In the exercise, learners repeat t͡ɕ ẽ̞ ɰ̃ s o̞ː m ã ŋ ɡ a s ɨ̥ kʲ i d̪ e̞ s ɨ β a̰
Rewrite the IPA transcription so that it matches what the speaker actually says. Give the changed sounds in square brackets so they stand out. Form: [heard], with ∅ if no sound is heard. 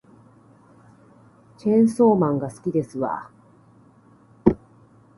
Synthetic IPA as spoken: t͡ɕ ẽ̞ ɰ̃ s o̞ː m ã ŋ ɡ a s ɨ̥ kʲ i d̪ e̞ s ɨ β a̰